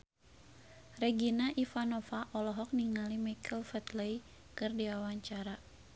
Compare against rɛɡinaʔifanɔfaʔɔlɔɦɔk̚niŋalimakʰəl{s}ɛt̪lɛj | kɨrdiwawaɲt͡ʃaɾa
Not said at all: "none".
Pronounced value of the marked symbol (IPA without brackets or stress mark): f